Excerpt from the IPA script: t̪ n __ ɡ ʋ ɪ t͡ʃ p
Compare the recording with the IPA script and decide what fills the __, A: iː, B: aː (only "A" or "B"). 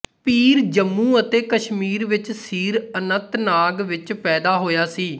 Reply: B